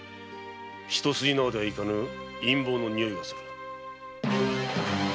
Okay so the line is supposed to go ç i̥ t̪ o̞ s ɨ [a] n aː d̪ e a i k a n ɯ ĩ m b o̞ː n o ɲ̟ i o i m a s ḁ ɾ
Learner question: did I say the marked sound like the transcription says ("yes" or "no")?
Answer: no